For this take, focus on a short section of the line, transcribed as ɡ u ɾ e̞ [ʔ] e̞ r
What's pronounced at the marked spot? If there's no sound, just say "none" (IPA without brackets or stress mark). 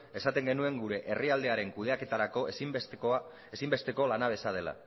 ʔ